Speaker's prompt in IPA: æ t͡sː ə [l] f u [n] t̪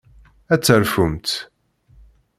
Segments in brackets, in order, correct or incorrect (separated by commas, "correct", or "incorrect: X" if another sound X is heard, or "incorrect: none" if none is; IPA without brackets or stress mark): incorrect: ɾ, incorrect: m